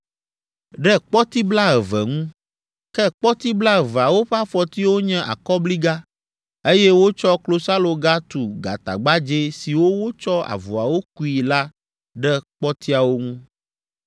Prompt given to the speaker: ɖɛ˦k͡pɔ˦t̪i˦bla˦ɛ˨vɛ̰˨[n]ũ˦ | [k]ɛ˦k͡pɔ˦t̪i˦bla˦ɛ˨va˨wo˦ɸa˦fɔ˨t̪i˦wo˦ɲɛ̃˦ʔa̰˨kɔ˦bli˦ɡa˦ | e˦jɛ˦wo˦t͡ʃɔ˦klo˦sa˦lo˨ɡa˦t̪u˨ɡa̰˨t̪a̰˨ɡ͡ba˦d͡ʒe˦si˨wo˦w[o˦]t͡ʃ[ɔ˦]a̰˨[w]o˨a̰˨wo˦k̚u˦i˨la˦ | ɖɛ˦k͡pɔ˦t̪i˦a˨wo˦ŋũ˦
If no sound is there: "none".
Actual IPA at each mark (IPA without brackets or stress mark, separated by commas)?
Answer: ŋ, k, o˦, ɔ˦, v